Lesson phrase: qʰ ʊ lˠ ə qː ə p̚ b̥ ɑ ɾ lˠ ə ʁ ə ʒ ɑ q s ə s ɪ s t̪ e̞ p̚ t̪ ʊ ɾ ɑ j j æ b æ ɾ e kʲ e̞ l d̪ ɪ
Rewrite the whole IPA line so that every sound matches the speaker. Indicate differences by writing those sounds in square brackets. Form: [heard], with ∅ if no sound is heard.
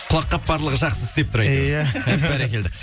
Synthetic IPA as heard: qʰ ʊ lˠ [ɑ] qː [ɑ] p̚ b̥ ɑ ɾ lˠ ə ʁ ə ʒ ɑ q s ə [z] ɪ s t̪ e̞ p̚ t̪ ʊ ɾ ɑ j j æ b æ ɾ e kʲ e̞ l d̪ ɪ